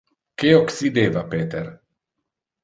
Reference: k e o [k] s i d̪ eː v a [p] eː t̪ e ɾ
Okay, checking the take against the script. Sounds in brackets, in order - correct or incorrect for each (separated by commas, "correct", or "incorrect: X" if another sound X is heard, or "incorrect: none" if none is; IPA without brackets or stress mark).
correct, correct